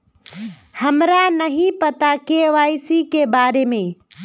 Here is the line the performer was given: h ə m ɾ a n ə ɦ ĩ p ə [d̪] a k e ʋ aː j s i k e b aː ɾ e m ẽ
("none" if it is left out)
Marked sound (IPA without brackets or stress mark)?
t̪